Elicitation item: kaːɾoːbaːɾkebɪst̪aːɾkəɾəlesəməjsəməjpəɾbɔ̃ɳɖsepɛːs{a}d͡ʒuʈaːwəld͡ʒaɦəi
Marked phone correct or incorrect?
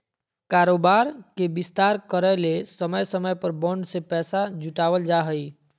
correct